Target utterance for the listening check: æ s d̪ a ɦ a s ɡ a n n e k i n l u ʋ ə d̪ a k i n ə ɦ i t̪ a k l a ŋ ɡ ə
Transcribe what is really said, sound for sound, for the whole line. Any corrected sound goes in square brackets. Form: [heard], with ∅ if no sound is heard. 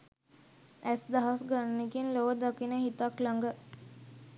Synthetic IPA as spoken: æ s d̪ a ɦ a s ɡ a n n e k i n l [o] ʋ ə d̪ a k i n ə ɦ i t̪ a k l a ŋ ɡ ə